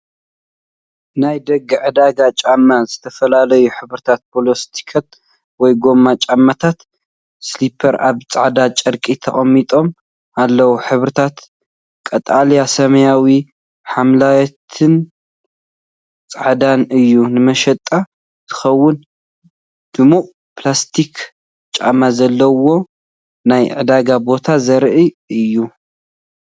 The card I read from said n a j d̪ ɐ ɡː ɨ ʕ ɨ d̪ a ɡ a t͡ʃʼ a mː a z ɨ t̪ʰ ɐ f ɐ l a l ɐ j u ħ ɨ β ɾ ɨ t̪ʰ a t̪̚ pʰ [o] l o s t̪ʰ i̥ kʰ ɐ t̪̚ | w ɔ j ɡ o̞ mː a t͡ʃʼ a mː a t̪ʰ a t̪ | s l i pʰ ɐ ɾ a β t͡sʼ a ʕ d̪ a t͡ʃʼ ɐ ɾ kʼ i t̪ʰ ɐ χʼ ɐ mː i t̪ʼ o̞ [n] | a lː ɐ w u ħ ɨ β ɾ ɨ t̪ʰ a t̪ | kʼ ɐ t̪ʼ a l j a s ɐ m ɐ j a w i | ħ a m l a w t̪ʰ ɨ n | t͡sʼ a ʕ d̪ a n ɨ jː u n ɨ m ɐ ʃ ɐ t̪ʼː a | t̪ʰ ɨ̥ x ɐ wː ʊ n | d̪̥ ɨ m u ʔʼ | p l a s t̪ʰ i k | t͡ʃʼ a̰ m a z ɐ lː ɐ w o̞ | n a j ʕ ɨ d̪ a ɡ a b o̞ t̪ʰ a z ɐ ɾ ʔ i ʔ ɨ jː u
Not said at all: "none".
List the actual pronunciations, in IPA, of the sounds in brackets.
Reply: o, m

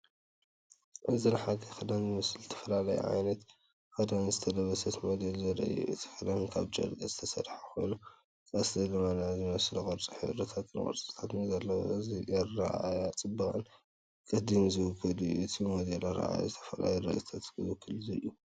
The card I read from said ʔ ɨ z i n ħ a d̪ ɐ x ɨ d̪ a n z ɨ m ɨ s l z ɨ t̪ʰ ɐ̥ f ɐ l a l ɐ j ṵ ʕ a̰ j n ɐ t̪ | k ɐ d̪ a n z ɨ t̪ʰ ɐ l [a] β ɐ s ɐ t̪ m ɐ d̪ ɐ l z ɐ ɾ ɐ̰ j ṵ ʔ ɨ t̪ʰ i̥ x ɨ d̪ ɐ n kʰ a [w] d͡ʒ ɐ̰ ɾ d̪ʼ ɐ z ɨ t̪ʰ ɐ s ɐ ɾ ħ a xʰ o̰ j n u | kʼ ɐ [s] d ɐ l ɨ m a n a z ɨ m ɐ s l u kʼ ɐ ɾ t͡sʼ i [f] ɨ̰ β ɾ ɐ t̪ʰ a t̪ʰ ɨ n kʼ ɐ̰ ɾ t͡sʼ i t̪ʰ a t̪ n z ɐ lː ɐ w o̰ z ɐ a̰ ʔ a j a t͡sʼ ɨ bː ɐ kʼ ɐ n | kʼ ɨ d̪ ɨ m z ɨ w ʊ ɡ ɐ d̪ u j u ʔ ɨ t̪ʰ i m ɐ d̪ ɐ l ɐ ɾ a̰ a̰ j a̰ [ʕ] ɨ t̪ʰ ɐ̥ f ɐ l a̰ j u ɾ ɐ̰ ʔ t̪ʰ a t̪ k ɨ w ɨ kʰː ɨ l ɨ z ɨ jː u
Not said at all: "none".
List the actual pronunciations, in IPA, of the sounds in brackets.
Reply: ɐ, β, s, ħ, z

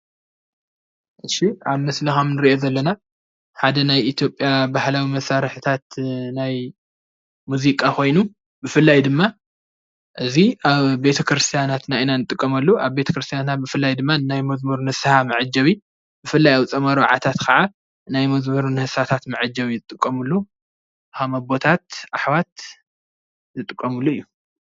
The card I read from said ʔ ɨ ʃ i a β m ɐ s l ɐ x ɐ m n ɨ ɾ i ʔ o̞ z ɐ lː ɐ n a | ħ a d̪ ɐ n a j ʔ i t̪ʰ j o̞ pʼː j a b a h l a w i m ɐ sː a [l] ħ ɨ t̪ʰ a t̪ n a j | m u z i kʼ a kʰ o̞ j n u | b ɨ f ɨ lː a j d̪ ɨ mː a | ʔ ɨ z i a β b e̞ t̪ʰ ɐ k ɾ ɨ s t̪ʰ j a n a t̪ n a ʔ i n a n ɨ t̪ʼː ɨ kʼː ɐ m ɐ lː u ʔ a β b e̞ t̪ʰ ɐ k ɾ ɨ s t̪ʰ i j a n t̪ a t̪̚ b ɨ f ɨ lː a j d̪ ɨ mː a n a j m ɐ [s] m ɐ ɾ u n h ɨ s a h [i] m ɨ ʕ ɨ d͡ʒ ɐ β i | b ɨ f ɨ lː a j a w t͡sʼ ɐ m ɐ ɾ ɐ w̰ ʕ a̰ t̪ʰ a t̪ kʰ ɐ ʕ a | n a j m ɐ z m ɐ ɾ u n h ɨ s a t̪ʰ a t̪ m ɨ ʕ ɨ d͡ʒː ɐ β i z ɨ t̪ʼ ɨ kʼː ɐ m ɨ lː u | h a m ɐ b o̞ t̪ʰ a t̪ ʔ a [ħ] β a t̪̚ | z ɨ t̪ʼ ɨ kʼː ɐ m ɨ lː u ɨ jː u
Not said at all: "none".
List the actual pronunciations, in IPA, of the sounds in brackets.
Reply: ɾ, z, a, ħ

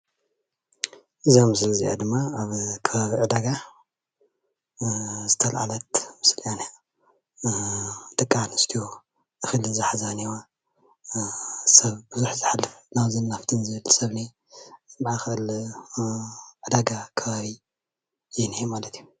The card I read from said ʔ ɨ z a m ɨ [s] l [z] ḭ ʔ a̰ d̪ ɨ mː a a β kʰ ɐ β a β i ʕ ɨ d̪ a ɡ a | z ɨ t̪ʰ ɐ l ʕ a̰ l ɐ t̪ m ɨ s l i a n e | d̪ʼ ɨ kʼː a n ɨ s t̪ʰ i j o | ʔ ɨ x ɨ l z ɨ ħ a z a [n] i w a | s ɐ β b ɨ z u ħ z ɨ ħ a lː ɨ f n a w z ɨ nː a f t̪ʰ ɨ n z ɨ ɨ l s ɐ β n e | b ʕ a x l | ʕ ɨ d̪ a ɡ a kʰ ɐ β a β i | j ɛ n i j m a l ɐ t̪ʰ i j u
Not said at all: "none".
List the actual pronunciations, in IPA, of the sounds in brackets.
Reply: s, z, n

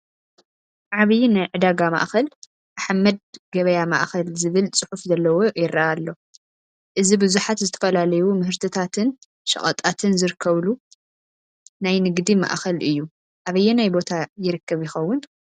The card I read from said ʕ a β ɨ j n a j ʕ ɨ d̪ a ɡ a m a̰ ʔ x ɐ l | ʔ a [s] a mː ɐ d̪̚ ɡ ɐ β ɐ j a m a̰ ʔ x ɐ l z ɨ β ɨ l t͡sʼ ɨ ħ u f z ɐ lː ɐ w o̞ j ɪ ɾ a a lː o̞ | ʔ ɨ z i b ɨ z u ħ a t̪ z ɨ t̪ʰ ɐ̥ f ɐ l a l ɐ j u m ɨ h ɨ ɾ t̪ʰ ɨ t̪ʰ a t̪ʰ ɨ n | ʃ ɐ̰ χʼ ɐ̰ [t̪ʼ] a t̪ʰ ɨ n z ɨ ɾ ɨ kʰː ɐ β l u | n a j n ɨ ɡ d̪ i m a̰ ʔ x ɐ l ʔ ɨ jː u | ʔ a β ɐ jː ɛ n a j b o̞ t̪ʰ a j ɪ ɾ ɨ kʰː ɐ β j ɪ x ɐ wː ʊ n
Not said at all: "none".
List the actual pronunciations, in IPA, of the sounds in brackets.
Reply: ħ, t̪ʼ

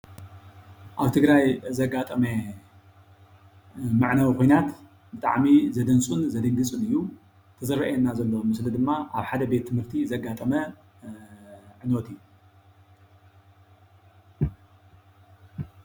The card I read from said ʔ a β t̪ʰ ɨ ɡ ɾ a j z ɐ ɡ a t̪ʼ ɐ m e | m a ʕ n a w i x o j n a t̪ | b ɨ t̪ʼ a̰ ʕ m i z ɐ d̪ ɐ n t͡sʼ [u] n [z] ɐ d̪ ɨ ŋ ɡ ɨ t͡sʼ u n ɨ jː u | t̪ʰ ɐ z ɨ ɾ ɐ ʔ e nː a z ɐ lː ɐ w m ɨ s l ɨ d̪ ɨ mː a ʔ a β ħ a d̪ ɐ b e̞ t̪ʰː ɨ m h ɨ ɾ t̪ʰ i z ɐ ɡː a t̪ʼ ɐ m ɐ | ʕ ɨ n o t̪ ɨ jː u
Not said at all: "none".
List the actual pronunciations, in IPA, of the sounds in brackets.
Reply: u, z

